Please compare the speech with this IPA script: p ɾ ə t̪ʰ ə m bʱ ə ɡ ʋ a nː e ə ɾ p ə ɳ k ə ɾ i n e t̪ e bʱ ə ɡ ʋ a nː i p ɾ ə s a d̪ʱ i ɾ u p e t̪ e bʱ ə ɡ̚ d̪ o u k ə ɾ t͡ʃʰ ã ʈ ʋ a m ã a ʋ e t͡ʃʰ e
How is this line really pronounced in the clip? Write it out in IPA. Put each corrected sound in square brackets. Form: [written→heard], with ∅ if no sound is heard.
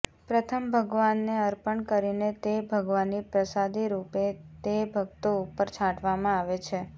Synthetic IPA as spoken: p ɾ ə t̪ʰ ə m bʱ ə ɡ ʋ a nː e ə ɾ p ə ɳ k ə ɾ i n e t̪ e bʱ ə ɡ ʋ a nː i p ɾ ə s a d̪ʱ i ɾ u p e t̪ e bʱ ə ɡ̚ [d̪→t̪] o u [k→p] ə ɾ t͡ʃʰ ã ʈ ʋ a m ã a ʋ e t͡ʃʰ e